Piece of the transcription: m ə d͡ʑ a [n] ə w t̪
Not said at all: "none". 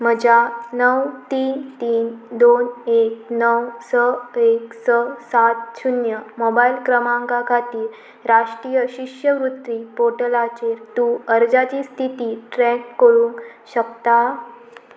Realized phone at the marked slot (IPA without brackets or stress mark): n